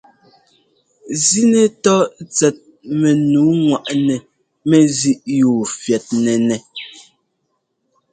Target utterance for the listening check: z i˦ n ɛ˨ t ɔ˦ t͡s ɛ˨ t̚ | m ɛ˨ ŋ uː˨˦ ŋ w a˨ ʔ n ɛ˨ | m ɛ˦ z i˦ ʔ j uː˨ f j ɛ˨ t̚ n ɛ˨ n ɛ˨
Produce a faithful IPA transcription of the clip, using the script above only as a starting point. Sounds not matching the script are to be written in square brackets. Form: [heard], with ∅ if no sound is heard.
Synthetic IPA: z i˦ n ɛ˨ t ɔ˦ t͡s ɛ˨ t̚ | m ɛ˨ [n] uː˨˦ ŋ w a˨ ʔ n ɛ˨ | m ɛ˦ z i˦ ʔ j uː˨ f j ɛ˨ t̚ n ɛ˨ n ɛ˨